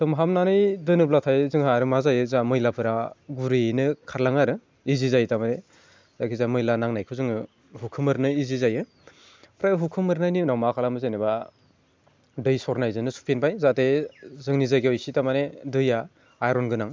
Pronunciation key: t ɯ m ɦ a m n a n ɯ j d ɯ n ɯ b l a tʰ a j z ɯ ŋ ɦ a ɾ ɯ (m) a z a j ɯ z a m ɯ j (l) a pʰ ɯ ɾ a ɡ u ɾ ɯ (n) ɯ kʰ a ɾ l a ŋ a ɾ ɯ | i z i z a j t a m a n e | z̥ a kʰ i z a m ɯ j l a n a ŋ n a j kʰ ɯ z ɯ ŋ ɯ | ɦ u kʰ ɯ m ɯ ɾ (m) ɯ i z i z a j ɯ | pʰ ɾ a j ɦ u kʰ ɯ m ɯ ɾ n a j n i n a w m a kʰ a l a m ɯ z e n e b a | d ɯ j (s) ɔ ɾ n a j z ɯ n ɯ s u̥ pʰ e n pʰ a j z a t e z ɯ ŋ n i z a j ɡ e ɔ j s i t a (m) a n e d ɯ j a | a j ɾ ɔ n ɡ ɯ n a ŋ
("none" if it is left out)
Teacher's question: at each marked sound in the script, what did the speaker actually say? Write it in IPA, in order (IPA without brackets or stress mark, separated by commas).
m, l, n, n, s, m